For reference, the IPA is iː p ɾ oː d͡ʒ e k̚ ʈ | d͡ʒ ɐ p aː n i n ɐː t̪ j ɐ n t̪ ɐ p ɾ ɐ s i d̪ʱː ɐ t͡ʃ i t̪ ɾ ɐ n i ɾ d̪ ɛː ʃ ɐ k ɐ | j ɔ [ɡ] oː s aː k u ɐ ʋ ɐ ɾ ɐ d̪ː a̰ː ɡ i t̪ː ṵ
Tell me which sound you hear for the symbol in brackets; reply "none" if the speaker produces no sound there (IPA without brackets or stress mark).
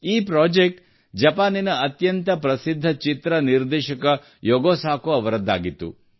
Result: ɡ